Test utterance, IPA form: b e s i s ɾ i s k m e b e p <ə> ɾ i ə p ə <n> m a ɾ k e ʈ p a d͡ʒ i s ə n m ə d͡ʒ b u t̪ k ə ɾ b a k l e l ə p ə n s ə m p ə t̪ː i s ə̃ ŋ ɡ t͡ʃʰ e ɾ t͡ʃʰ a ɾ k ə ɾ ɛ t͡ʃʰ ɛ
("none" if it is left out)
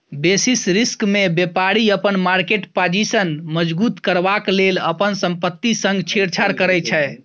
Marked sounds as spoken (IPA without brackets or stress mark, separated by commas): a, n